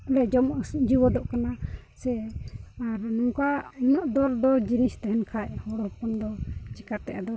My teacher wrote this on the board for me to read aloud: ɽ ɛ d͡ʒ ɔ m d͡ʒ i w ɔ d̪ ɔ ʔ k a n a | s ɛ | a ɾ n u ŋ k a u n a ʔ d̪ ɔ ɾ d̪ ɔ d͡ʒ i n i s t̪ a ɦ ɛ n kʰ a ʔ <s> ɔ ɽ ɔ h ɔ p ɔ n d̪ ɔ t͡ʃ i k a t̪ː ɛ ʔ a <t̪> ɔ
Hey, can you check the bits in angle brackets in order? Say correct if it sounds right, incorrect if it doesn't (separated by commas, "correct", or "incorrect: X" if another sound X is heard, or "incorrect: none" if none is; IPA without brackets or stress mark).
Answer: incorrect: h, incorrect: d̪